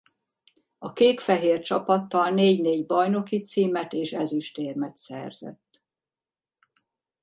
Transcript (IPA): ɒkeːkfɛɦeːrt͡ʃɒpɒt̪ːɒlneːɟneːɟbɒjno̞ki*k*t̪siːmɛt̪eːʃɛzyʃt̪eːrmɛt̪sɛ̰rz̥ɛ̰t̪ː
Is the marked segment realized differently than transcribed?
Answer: yes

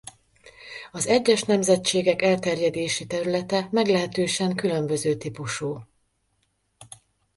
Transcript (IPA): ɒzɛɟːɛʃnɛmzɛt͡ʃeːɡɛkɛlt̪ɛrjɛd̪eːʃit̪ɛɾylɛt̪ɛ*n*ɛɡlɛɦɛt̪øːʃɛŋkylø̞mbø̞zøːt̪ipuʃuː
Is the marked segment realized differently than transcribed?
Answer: yes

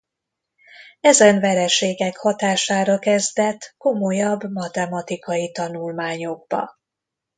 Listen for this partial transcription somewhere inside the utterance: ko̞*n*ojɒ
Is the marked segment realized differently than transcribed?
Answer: yes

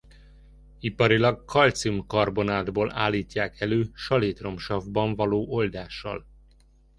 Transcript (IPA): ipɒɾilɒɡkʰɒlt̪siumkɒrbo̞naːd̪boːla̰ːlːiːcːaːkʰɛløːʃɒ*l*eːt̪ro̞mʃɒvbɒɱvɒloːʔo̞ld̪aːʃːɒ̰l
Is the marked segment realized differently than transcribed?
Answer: no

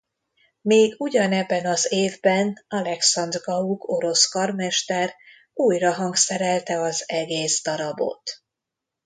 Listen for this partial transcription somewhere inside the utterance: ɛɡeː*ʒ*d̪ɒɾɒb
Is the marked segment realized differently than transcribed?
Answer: yes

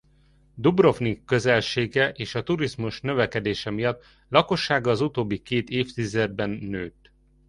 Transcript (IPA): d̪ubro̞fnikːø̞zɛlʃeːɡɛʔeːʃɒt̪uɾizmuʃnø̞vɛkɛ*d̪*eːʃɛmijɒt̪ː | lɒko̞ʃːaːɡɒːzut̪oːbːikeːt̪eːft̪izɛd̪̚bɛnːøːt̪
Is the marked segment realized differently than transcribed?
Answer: no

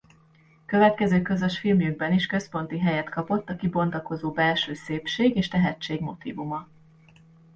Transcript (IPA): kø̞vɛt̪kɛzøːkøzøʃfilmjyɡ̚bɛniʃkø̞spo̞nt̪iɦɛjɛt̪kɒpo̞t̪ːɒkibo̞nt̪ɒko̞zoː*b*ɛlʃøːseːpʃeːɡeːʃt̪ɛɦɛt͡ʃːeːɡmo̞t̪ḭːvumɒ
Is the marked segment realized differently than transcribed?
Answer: no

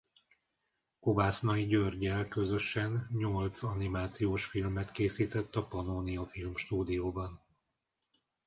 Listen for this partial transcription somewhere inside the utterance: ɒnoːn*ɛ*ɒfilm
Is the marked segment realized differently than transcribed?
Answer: yes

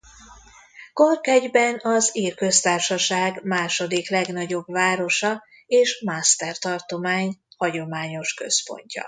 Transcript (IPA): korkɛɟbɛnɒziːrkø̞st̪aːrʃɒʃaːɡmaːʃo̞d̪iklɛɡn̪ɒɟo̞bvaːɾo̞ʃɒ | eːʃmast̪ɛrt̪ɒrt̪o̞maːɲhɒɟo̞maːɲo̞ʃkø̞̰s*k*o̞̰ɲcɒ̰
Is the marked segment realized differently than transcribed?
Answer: yes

